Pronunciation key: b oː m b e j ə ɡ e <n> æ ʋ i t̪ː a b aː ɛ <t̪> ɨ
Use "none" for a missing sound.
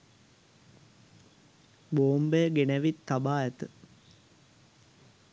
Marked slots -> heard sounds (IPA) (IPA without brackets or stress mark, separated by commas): n, t̪